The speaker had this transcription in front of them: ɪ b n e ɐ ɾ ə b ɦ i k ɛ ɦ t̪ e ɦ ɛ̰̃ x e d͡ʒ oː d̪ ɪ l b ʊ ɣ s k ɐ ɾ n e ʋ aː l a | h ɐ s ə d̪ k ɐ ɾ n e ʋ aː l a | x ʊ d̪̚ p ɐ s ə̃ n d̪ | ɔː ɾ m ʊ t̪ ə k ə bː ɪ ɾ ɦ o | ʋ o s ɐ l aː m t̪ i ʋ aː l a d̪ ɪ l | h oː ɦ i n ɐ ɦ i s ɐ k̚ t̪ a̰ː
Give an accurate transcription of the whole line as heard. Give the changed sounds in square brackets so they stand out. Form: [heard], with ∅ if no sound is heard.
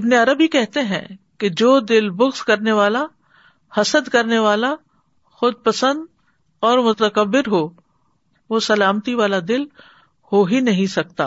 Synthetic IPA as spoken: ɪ b n e ɐ ɾ ə b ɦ i k ɛ ɦ t̪ e ɦ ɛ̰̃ [k] e d͡ʒ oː d̪ ɪ l b ʊ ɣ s k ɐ ɾ n e ʋ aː l a | h ɐ s ə d̪ k ɐ ɾ n e ʋ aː l a | x ʊ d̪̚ p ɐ s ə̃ n d̪ | ɔː ɾ m ʊ t̪ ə k ə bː ɪ ɾ ɦ o | ʋ o s ɐ l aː m t̪ i ʋ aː l a d̪ ɪ l | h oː ɦ i n ɐ ɦ [ĩ] s ɐ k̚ t̪ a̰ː